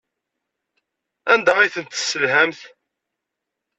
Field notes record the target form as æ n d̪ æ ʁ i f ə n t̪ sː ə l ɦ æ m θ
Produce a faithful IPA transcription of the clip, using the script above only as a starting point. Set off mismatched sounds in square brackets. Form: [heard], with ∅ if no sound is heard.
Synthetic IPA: æ n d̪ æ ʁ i [θ] ə n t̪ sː ə l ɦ æ m θ